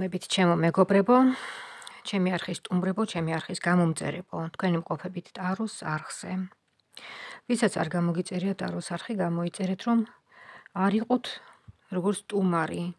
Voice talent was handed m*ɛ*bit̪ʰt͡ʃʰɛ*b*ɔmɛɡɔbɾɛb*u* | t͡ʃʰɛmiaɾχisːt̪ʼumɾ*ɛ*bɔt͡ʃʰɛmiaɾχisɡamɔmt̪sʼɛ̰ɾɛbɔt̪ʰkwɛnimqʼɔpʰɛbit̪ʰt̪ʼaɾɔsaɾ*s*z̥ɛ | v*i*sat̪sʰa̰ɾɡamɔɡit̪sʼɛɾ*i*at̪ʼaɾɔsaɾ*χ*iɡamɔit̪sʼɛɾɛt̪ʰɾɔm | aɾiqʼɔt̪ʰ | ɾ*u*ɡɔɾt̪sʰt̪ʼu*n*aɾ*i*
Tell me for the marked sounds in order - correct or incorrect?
correct, incorrect: m, incorrect: ɔ, correct, incorrect: χ, correct, correct, correct, incorrect: ɔ, incorrect: m, correct

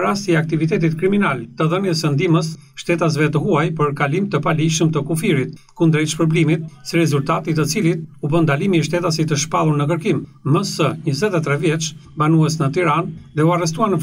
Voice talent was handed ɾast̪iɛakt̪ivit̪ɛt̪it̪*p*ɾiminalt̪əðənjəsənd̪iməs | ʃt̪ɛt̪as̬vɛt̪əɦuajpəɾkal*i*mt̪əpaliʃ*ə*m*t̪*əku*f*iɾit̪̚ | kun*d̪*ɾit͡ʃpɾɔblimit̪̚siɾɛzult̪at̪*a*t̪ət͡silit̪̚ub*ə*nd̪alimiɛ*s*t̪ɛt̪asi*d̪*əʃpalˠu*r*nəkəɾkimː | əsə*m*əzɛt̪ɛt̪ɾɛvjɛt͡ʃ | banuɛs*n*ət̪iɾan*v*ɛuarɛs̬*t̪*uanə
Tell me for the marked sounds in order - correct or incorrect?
incorrect: k, correct, correct, correct, correct, correct, incorrect: i, correct, incorrect: ʃ, incorrect: t̪, incorrect: ɾ, incorrect: ɲ, correct, incorrect: ð, correct

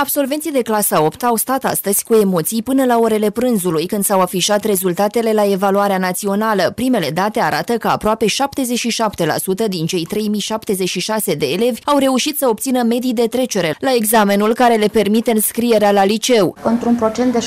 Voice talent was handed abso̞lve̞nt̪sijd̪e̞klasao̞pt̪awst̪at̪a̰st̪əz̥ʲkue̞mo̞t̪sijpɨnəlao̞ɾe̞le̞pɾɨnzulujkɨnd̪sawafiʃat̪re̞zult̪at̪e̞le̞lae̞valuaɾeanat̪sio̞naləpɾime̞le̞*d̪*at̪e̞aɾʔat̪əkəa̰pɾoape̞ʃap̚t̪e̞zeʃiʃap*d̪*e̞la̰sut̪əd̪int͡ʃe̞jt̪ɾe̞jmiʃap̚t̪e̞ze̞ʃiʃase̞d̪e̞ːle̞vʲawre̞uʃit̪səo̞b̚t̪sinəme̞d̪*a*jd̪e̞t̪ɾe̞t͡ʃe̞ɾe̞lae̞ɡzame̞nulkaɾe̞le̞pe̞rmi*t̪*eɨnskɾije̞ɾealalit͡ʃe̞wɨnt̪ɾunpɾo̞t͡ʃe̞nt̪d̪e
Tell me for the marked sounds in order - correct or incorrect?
correct, incorrect: t̪, incorrect: i, correct

